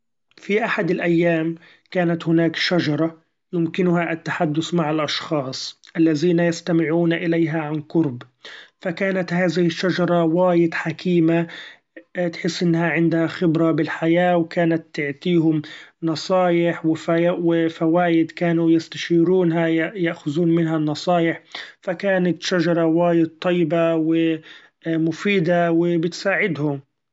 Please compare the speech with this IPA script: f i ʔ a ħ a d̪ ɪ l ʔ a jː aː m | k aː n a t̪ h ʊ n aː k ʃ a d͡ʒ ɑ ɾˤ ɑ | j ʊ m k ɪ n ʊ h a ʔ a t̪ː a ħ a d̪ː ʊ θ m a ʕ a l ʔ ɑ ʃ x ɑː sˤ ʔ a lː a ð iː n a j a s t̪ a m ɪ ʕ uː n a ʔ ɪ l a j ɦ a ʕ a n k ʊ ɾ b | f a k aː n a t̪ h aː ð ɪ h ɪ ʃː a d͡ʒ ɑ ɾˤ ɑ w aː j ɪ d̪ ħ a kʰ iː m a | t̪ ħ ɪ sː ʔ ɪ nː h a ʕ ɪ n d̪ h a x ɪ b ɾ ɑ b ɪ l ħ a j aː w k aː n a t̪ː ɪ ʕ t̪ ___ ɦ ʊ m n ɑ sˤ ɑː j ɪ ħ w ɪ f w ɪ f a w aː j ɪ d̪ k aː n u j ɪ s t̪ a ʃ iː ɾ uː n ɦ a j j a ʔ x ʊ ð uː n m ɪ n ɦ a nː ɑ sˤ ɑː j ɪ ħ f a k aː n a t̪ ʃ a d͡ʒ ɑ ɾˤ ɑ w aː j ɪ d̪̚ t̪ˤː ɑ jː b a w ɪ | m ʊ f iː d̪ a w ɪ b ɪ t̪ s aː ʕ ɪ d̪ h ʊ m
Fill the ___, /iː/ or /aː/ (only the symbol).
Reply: iː